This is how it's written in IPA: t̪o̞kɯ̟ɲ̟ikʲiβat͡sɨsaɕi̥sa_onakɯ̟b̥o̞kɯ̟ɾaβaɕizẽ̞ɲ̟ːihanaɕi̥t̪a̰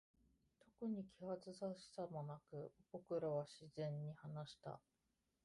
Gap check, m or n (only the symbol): m